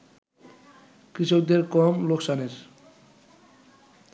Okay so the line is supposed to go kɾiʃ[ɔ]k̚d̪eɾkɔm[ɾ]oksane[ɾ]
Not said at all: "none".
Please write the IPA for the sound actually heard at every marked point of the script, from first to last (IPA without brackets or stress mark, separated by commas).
o, l, ɾ